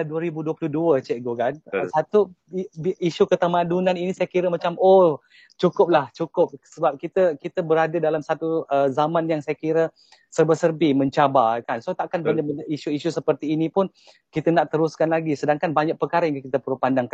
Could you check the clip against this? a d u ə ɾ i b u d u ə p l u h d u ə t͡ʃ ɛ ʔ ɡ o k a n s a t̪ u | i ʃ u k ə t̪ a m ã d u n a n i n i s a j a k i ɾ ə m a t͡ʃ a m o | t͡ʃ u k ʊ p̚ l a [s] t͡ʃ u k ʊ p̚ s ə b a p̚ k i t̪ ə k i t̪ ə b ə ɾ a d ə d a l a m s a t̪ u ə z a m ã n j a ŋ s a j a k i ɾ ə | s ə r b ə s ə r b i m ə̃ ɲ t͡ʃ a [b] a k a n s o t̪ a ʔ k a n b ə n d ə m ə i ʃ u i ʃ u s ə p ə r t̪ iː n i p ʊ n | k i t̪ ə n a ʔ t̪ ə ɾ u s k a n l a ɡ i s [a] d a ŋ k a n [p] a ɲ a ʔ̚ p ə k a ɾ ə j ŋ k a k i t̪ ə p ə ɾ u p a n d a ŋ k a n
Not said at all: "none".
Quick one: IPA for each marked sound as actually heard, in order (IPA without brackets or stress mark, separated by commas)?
h, b, ə, b